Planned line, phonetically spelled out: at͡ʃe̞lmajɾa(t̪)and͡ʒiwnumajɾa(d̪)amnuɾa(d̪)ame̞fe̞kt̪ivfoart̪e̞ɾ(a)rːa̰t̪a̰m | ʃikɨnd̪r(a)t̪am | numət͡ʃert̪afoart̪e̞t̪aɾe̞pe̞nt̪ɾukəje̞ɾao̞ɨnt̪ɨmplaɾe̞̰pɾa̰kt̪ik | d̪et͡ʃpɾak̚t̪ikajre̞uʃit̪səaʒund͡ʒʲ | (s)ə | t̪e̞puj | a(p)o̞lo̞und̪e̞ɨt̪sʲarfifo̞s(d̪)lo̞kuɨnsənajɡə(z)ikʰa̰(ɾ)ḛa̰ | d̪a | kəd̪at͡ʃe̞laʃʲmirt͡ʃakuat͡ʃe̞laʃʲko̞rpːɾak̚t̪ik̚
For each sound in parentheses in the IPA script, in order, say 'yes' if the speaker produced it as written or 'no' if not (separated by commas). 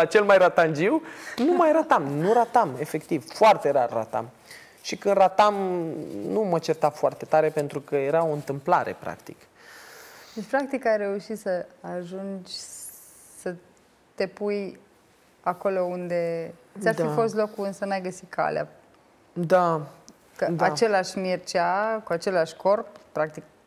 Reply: yes, no, no, yes, yes, yes, no, no, no, no